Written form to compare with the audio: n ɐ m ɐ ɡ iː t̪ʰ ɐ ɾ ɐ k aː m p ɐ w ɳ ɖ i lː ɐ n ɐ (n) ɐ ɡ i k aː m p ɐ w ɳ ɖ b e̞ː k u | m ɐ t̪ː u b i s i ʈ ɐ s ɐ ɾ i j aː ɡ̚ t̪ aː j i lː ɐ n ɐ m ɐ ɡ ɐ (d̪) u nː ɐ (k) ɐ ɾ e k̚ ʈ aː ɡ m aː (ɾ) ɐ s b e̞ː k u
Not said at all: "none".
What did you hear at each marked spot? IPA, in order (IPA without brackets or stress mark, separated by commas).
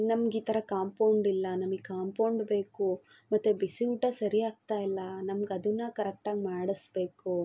m, d̪, k, ɽ